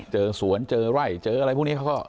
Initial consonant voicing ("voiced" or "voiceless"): voiceless